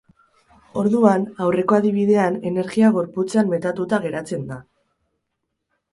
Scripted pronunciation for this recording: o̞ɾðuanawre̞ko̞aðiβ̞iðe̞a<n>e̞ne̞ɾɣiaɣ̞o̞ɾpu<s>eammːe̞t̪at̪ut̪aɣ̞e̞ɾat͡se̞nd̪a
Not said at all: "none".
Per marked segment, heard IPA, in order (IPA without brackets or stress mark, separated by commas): n, t͡s